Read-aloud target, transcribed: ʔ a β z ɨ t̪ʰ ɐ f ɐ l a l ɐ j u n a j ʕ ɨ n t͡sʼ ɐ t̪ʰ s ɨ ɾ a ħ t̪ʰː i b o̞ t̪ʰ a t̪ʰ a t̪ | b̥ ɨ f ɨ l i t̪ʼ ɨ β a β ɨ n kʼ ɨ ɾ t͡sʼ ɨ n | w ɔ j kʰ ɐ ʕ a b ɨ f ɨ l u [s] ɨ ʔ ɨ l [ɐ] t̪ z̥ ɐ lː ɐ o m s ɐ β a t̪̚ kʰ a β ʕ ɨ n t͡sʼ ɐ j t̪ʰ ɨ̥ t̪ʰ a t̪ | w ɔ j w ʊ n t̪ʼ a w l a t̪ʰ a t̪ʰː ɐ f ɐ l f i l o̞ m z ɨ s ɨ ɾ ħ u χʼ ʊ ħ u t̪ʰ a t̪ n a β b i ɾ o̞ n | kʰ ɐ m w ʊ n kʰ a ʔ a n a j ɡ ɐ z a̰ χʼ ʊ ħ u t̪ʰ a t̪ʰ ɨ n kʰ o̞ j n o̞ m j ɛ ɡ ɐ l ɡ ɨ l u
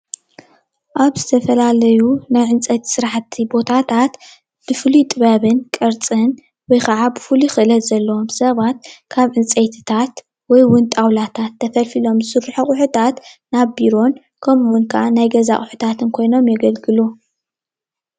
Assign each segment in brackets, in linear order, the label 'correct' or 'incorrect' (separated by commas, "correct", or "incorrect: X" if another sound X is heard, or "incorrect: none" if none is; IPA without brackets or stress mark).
incorrect: x, correct